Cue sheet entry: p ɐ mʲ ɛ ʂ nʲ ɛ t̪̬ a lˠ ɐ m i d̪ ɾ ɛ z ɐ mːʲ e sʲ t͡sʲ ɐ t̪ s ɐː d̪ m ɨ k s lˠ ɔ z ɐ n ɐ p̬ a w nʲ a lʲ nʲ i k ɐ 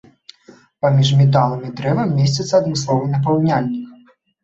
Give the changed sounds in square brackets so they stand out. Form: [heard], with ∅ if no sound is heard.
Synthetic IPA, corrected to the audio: p [a] mʲ [i] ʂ [mʲ] ɛ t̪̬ a lˠ ɐ m i d̪ ɾ ɛ [v] ɐ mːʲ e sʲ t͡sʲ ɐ t̪ s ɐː d̪ m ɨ [∅] s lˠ ɔ [v] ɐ n ɐ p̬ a w nʲ a lʲ nʲ i k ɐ